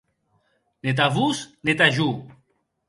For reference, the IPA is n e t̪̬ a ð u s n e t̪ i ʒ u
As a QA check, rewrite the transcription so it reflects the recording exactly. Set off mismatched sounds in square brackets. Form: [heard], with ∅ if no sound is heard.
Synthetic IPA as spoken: n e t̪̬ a [v] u s n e t̪ [a] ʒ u